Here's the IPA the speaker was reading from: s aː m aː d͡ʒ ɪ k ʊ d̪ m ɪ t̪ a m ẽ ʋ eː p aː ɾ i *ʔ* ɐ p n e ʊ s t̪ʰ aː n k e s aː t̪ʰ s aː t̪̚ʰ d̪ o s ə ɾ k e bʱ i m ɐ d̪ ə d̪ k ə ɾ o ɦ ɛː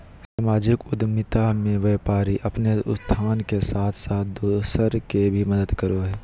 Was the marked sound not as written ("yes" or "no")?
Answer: no